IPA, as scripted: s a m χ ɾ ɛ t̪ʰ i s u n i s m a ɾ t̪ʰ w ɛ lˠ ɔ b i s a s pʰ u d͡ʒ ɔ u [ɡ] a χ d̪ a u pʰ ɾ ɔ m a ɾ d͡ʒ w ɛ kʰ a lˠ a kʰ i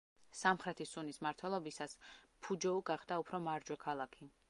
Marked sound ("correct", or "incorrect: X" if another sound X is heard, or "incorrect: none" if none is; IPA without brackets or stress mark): correct